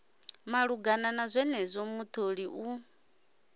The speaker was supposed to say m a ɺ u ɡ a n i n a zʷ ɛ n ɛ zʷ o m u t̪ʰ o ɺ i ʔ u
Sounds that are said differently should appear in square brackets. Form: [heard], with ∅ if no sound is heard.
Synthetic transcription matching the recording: m a ɺ u ɡ a n [a] n a zʷ ɛ n ɛ zʷ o m u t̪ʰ o ɺ i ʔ u